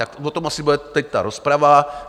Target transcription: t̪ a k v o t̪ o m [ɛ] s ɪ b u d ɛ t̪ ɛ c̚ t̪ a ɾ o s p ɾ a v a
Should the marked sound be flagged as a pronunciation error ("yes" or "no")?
yes